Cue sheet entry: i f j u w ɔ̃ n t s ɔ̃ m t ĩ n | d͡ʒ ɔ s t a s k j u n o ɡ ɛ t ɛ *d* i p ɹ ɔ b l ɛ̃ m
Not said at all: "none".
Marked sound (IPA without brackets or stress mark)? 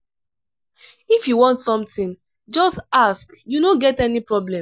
n